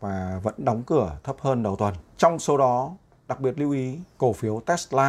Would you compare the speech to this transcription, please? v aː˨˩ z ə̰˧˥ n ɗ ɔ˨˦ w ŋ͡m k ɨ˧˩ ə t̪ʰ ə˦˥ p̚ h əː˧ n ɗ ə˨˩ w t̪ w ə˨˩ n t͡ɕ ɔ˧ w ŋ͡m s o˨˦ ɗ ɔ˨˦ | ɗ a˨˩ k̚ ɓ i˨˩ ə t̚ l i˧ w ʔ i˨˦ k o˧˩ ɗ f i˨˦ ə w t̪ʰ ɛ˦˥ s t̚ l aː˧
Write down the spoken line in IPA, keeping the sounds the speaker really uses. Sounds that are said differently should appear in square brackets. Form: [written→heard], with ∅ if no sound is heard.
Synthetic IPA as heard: v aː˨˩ [z→v] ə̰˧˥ n ɗ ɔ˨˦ w ŋ͡m k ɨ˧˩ ə t̪ʰ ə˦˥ p̚ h əː˧ n ɗ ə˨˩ w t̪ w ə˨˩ n t͡ɕ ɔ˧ w ŋ͡m s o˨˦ ɗ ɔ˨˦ | ɗ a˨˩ k̚ ɓ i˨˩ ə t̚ l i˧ w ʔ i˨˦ k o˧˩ [ɗ→∅] f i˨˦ ə w [t̪ʰ→t̪] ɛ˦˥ s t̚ l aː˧